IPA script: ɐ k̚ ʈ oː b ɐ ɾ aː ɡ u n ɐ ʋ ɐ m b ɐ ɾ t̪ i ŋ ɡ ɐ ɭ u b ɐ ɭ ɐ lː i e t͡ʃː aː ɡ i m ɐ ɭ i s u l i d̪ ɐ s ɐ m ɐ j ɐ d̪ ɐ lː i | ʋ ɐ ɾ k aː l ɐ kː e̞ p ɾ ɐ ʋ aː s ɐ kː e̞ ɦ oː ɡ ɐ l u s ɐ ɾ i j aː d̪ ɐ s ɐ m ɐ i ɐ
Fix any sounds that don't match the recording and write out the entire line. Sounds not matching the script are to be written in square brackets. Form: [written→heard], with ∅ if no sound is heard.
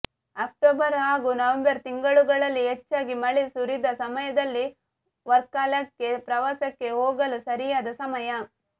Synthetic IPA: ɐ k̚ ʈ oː b ɐ ɾ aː ɡ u n ɐ ʋ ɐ m b ɐ ɾ t̪ i ŋ ɡ ɐ ɭ u [b→ɡ] ɐ ɭ ɐ lː i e t͡ʃː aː ɡ i m ɐ ɭ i s u [l→ɾ] i d̪ ɐ s ɐ m ɐ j ɐ d̪ ɐ lː i | ʋ ɐ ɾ k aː l ɐ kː e̞ p ɾ ɐ ʋ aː s ɐ kː e̞ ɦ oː ɡ ɐ l u s ɐ ɾ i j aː d̪ ɐ s ɐ m ɐ [i→j] ɐ

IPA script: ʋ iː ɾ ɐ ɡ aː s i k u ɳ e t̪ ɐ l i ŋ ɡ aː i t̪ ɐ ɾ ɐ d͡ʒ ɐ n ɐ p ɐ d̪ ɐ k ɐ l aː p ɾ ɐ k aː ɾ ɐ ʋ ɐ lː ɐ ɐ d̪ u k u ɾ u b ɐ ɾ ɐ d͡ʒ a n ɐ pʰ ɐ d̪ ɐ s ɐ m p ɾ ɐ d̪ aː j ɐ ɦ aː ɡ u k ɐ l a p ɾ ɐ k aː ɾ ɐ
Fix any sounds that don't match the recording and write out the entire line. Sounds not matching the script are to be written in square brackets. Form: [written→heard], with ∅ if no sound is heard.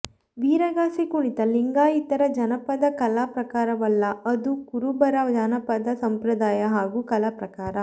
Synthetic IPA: ʋ iː ɾ ɐ ɡ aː s i k u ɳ [e→i] t̪ ɐ l i ŋ ɡ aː i t̪ ɐ ɾ ɐ d͡ʒ ɐ n ɐ p ɐ d̪ ɐ k ɐ l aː p ɾ ɐ k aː ɾ ɐ ʋ ɐ lː ɐ ɐ d̪ u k u ɾ u b ɐ ɾ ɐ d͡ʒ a n ɐ [pʰ→p] ɐ d̪ ɐ s ɐ m p ɾ ɐ d̪ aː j ɐ ɦ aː ɡ u k ɐ l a p ɾ ɐ k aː ɾ ɐ

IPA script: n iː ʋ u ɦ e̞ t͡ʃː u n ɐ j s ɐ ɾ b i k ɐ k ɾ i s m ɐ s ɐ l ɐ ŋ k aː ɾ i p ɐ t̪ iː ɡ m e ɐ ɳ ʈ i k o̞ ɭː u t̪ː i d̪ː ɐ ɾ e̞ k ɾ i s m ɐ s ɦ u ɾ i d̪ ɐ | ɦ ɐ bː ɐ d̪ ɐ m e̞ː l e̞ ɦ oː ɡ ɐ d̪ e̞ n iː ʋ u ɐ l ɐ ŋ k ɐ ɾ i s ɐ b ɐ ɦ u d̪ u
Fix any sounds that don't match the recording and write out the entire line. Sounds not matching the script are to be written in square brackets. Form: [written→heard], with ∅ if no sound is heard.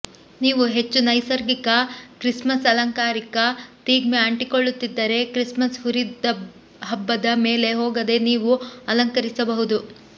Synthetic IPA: n iː ʋ u ɦ e̞ t͡ʃː u n ɐ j s ɐ ɾ [b→ɡ] i k ɐ k ɾ i s m ɐ s ɐ l ɐ ŋ k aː ɾ i [p→k] ɐ t̪ iː ɡ m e ɐ ɳ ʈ i k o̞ ɭː u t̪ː i d̪ː ɐ ɾ e̞ k ɾ i s m ɐ s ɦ u ɾ i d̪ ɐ | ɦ ɐ bː ɐ d̪ ɐ m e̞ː l e̞ ɦ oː ɡ ɐ d̪ e̞ n iː ʋ u ɐ l ɐ ŋ k ɐ ɾ i s ɐ b ɐ ɦ u d̪ u

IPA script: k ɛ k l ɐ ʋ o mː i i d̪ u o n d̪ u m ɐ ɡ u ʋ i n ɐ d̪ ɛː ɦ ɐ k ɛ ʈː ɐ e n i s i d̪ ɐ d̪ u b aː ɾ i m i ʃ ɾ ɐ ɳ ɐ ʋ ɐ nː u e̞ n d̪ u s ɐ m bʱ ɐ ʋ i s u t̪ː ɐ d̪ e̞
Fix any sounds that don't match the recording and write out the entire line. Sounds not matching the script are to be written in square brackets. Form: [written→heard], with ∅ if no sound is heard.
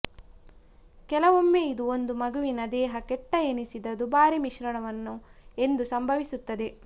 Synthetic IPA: k ɛ [k→∅] l ɐ ʋ o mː [i→e] i d̪ u o n d̪ u m ɐ ɡ u ʋ i n ɐ d̪ ɛː ɦ ɐ k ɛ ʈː ɐ e n i s i d̪ ɐ d̪ u b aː ɾ i m i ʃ ɾ ɐ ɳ ɐ ʋ ɐ nː u e̞ n d̪ u s ɐ m bʱ ɐ ʋ i s u t̪ː ɐ d̪ e̞

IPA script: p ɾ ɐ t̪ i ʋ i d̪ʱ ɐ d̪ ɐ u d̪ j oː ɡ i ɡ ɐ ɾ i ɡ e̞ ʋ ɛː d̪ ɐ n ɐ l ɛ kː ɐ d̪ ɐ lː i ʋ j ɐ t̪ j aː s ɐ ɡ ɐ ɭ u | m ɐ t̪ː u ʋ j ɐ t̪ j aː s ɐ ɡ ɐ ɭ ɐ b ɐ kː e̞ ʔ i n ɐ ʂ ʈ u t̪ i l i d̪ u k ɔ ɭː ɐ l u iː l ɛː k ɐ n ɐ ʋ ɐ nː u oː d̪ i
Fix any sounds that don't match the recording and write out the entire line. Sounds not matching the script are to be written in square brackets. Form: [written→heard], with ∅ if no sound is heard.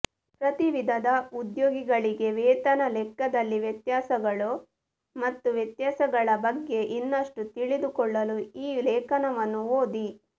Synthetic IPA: p ɾ ɐ t̪ i ʋ i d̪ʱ ɐ d̪ ɐ u d̪ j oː ɡ i ɡ ɐ [ɾ→ɭ] i ɡ e̞ ʋ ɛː [d̪→t̪] ɐ n ɐ l ɛ kː ɐ d̪ ɐ lː i ʋ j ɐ t̪ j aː s ɐ ɡ ɐ ɭ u | m ɐ t̪ː u ʋ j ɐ t̪ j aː s ɐ ɡ ɐ ɭ ɐ b ɐ [kː→ɡː] e̞ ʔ i [n→nː] ɐ ʂ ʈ u t̪ i [l→ɭ] i d̪ u k ɔ ɭː ɐ l u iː l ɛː k ɐ n ɐ ʋ ɐ nː u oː d̪ i

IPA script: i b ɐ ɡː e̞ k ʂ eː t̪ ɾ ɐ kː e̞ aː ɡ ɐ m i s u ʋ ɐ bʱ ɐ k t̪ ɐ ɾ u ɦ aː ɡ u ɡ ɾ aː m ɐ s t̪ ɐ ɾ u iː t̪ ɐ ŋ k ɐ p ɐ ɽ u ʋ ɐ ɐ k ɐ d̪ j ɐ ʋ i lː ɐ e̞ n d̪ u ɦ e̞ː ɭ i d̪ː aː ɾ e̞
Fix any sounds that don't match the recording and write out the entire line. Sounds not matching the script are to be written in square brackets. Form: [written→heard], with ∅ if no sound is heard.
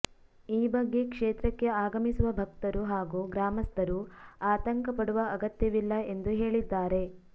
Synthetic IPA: [i→iː] b ɐ ɡː e̞ k ʂ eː t̪ ɾ ɐ kː e̞ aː ɡ ɐ m i s u ʋ ɐ bʱ ɐ k t̪ ɐ ɾ u ɦ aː ɡ u ɡ ɾ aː m ɐ s t̪ ɐ ɾ u [iː→aː] t̪ ɐ ŋ k ɐ p ɐ ɽ u ʋ ɐ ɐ [k→ɡ] ɐ [d̪→t̪] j ɐ ʋ i lː ɐ e̞ n d̪ u ɦ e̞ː ɭ i d̪ː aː ɾ e̞

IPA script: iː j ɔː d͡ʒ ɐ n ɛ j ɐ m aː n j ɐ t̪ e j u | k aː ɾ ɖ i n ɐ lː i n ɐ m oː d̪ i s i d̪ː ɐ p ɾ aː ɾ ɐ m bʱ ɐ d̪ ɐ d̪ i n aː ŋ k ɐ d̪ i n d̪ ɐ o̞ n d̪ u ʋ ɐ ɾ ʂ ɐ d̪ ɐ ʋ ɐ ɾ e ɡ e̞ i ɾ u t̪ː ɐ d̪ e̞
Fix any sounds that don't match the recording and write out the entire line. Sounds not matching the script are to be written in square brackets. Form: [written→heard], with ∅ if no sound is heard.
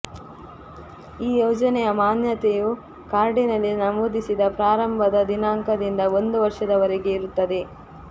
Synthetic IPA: iː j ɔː d͡ʒ ɐ n ɛ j ɐ m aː n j ɐ t̪ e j u | k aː ɾ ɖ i n ɐ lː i n ɐ m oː d̪ i s i [d̪ː→d̪] ɐ p ɾ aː ɾ ɐ m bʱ ɐ d̪ ɐ d̪ i n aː ŋ k ɐ d̪ i n d̪ ɐ o̞ n d̪ u ʋ ɐ ɾ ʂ ɐ d̪ ɐ ʋ ɐ ɾ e ɡ e̞ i ɾ u t̪ː ɐ d̪ e̞

